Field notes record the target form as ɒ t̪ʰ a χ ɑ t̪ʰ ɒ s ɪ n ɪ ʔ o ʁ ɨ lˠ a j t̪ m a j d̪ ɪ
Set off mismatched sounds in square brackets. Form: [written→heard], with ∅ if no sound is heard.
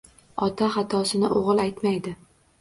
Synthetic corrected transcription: ɒ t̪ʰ a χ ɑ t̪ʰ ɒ s ɪ n ɪ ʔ o ʁ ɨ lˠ a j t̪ m a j d̪ ɪ